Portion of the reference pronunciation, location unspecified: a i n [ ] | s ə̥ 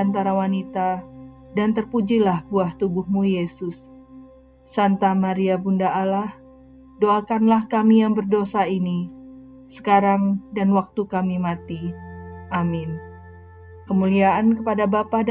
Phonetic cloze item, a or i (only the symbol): i